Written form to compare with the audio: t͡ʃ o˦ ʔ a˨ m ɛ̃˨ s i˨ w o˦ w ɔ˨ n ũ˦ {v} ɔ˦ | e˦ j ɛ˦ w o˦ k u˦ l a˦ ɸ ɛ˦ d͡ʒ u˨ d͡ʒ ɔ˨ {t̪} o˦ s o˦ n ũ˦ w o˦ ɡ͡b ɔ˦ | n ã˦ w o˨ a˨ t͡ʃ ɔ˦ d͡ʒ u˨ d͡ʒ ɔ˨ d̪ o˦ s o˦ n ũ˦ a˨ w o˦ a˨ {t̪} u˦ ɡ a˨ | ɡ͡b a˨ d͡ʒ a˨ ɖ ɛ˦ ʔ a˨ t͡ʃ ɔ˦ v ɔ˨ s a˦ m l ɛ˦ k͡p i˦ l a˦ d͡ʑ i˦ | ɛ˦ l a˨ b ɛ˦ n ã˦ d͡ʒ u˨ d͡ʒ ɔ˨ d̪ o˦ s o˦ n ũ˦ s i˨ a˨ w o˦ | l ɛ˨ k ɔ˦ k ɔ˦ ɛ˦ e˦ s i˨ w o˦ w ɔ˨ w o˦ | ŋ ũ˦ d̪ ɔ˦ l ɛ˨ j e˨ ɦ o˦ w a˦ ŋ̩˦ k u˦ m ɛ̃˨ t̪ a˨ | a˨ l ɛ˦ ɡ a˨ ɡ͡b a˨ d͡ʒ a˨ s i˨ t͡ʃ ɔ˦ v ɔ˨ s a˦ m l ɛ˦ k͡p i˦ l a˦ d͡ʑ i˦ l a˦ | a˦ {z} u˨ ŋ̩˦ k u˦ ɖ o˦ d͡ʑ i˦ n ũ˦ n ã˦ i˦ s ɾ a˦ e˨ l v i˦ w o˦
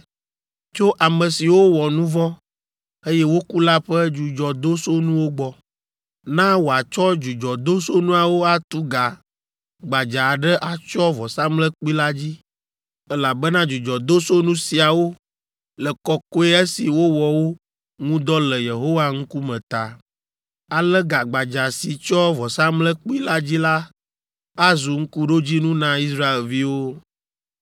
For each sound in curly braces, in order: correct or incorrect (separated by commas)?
correct, incorrect, correct, correct